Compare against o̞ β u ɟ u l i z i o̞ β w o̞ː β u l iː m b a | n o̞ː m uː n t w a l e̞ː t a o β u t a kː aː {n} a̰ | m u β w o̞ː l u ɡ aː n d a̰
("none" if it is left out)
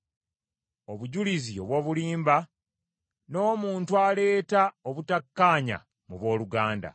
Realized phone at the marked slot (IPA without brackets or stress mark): ɲ